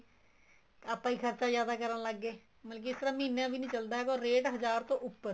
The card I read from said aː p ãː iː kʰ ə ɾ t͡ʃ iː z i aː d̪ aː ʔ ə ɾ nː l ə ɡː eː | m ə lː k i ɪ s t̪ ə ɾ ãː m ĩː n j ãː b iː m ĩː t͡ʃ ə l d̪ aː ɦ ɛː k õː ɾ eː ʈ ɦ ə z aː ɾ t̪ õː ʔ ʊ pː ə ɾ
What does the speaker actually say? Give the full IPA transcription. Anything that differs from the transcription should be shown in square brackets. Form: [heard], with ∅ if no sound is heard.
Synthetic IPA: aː p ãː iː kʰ ə ɾ t͡ʃ [aː] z [j] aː d̪ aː [k] ə ɾ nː l ə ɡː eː | m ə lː k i ɪ s t̪ ə ɾ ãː m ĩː n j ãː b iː [n] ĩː t͡ʃ ə l d̪ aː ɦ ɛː k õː ɾ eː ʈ ɦ ə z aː ɾ t̪ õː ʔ ʊ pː ə ɾ

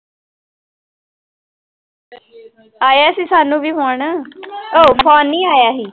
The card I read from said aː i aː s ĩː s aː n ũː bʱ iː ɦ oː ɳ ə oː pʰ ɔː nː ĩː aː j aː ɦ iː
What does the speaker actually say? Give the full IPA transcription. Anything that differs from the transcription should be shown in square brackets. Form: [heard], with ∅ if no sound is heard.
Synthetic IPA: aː [j] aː s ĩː s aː n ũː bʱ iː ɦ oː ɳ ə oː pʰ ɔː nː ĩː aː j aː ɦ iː

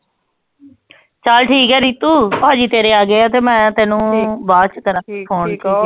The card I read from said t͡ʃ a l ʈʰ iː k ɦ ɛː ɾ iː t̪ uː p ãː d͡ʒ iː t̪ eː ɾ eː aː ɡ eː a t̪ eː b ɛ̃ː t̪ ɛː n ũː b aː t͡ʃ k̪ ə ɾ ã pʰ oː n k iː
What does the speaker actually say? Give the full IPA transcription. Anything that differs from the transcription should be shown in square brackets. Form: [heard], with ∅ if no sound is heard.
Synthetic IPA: t͡ʃ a l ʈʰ iː k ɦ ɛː ɾ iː t̪ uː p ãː d͡ʒ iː t̪ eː ɾ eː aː ɡ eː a t̪ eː [m] ɛ̃ː t̪ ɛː n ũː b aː t͡ʃ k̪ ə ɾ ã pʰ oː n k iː

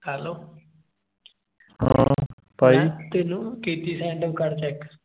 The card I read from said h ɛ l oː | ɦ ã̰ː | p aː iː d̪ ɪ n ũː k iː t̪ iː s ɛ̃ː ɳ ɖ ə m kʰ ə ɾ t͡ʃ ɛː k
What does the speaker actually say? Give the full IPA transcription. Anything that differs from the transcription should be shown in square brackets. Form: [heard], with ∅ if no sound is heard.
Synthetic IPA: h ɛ l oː | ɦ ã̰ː | p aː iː [t̪] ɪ n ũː k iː t̪ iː s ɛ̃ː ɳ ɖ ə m [k] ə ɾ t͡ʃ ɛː k

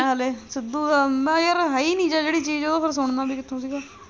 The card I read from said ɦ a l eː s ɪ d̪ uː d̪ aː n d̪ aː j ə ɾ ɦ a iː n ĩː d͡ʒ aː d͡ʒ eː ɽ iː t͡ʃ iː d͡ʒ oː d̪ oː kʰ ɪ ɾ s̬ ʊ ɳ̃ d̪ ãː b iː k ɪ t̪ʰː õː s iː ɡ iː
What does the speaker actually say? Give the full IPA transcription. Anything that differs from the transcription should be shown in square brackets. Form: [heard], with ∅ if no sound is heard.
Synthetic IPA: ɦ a l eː s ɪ d̪ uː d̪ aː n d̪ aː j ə ɾ ɦ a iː n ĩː d͡ʒ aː d͡ʒ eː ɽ iː t͡ʃ iː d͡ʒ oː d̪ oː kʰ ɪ ɾ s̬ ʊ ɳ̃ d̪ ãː b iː k ɪ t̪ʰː õː s iː ɡ [aː]

